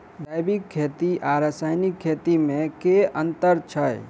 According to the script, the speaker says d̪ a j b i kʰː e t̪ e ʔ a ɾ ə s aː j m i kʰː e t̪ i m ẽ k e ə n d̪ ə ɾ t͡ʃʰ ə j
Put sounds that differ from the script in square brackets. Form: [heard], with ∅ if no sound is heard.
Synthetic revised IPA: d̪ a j b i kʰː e t̪ [i] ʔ a ɾ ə s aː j [n] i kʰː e t̪ i m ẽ k e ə n [t̪] ə ɾ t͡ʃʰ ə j